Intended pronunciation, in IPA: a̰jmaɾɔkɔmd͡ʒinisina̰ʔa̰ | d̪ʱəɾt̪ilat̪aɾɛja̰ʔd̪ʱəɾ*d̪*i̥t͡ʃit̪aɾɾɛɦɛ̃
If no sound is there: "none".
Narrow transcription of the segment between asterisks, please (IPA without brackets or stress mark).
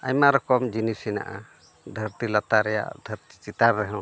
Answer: t̪